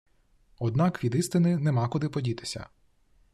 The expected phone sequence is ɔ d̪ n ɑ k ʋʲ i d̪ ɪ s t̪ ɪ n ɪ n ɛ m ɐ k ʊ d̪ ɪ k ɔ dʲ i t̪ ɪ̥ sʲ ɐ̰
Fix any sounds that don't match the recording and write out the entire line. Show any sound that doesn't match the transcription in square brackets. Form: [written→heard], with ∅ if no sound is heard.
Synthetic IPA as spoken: ɔ d̪ n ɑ k ʋʲ i d̪ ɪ s t̪ ɪ n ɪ n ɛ m [ɐ→ɑ] k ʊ d̪ ɪ [k→p] ɔ dʲ i t̪ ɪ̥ sʲ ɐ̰